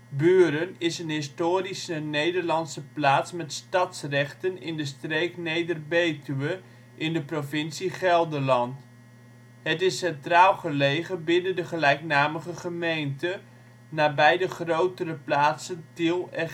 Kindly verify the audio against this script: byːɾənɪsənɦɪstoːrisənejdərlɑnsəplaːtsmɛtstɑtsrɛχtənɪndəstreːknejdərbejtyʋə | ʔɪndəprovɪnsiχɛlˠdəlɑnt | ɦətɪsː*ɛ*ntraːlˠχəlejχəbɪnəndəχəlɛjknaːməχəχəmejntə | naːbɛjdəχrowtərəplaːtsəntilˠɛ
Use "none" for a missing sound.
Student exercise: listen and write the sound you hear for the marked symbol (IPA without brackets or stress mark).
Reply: ɛ